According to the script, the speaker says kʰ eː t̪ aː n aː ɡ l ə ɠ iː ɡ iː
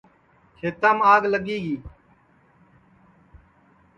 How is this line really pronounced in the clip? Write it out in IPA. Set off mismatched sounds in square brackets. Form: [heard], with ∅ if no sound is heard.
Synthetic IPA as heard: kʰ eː t̪ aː [m] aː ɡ l ə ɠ iː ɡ iː